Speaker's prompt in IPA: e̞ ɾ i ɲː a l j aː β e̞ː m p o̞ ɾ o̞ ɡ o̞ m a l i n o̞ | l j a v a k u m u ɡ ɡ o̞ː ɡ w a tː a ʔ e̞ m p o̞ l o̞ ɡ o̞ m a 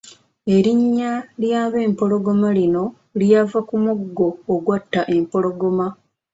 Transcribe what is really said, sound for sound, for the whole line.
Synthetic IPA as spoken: e̞ ɾ i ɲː a l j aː β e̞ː m p o̞ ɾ o̞ ɡ o̞ m a l i n o̞ | l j a v a k u m u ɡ ɡ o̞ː ɡ w a tː a ʔ e̞ m p o̞ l o̞ ɡ o̞ m a